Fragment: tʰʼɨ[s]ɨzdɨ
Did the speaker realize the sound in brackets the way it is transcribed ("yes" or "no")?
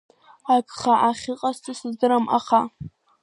yes